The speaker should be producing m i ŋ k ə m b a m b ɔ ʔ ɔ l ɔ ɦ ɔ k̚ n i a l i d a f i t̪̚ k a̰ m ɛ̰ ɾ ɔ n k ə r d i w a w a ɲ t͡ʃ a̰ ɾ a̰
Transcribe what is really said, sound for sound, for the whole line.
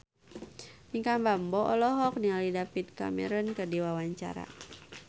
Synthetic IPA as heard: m i ŋ k a m b a m b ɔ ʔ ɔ l ɔ ɦ ɔ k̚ n i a l i d a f i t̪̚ k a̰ m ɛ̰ ɾ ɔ n k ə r d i w a w a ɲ t͡ʃ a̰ ɾ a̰